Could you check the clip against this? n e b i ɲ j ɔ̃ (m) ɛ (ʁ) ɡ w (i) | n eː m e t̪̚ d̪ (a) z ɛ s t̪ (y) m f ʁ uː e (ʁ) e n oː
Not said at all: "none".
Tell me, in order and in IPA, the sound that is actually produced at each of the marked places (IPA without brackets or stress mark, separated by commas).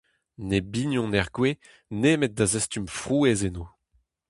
n, ʁ, e, a, y, z